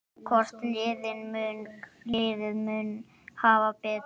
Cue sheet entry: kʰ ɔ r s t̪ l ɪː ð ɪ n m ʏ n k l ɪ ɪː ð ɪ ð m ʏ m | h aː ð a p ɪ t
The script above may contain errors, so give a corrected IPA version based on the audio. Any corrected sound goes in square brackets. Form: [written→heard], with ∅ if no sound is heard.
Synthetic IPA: kʰ ɔ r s t̪ l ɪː ð ɪ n m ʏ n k l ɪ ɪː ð ɪ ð m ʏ [m→n] | h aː [ð→v] a p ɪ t

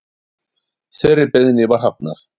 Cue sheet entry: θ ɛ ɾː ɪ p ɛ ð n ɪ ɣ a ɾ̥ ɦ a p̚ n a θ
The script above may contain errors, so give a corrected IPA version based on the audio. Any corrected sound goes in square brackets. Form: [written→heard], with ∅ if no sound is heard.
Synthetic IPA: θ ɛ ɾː ɪ p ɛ ð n ɪ [ɣ→v] a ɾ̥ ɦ a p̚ n a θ

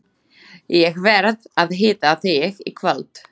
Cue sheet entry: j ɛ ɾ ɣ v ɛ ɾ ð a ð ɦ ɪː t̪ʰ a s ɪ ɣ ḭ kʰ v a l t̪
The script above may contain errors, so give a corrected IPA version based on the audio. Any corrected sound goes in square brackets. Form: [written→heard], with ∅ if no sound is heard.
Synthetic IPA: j ɛ [ɾ→∅] ɣ v ɛ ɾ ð a ð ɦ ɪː [t̪ʰ→t̪] a [s→θ] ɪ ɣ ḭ kʰ v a l t̪

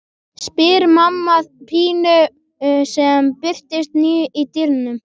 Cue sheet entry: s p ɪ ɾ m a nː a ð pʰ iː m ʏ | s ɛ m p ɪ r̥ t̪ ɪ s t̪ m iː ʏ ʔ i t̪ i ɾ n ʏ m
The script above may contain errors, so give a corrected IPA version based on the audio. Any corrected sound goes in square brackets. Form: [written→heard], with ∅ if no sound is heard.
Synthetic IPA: s p ɪ ɾ m a [nː→mː] a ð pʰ iː [m→n] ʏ | s ɛ m p ɪ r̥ t̪ ɪ s t̪ [m→n] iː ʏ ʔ i t̪ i ɾ n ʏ m

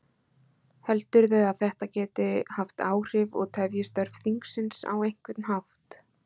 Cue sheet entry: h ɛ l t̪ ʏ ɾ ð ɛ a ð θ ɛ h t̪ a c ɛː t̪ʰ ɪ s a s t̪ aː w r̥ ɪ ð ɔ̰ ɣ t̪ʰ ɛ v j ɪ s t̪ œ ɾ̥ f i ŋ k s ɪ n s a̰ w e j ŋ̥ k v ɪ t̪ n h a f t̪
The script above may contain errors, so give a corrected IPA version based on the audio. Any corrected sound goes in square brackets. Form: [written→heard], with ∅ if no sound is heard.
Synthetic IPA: h ɛ l t̪ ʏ ɾ ð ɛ a ð θ ɛ h t̪ a c ɛː [t̪ʰ→t̪] ɪ [s→h] a [s→f] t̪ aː w r̥ ɪ [ð→v] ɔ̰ ɣ t̪ʰ ɛ v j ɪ s t̪ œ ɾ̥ f i ŋ k s ɪ n s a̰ w e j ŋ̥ k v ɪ t̪ n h a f t̪

